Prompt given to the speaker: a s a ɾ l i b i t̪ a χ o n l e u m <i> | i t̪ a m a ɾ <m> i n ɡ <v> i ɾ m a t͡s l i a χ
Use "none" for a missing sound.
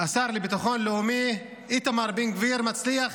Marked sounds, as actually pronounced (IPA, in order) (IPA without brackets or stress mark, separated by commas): i, b, v